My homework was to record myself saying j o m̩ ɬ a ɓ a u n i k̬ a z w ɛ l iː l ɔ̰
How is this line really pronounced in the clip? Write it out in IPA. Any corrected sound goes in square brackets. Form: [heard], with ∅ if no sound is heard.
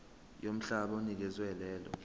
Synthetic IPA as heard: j o m̩ ɬ a ɓ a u n i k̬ [ɛ] z w ɛ l [ɛː] l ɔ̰